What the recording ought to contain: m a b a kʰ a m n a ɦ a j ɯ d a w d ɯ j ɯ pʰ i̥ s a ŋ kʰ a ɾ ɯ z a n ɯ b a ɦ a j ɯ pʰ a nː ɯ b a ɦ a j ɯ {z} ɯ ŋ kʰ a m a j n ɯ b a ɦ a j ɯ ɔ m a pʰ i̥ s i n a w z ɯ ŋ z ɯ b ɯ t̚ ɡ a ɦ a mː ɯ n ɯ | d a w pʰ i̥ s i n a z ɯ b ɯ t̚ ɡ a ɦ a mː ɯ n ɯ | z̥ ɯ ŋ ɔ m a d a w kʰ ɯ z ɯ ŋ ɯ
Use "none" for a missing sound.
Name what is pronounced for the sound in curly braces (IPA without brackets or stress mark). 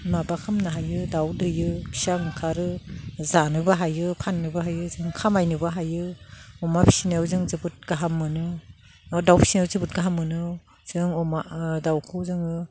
z